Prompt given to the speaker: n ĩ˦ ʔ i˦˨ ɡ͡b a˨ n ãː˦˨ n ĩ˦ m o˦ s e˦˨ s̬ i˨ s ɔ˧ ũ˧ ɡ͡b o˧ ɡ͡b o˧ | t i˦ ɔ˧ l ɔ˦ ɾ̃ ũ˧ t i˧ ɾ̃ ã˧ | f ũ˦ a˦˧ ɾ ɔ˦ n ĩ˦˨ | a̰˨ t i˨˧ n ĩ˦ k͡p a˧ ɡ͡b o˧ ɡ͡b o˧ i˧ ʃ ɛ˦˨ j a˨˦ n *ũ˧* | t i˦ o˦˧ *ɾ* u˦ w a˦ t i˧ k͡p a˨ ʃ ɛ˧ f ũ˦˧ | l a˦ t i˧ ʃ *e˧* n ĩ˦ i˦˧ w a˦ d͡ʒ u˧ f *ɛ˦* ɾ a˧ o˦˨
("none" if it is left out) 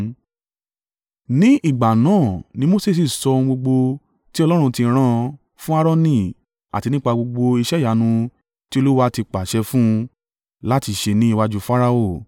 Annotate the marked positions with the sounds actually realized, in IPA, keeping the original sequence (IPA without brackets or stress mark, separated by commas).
ũ˧, l, e˧, a˦